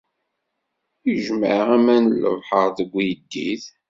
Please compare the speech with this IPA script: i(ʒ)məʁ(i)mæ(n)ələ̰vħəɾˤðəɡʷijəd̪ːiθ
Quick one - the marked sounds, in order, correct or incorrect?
correct, incorrect: æ, correct

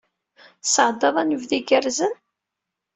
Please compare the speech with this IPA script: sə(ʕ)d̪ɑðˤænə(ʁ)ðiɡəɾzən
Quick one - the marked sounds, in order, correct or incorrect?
correct, incorrect: v

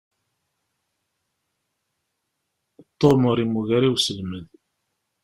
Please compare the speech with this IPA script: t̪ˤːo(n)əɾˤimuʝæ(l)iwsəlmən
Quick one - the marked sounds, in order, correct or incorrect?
incorrect: m, incorrect: ɾ

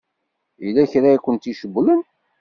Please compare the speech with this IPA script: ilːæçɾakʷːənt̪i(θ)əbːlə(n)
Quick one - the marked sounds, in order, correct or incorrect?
incorrect: ʃ, correct

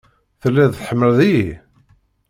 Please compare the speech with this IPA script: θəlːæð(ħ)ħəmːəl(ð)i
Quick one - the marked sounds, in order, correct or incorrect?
incorrect: θ, correct

